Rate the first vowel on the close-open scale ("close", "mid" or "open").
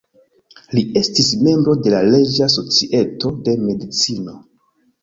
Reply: close